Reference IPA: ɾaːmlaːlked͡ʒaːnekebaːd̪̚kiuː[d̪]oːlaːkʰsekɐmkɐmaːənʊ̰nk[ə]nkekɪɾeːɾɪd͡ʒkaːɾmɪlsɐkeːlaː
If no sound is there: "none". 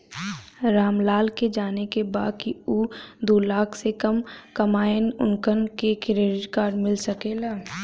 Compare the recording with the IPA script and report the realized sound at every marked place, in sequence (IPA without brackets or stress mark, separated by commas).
d̪, ə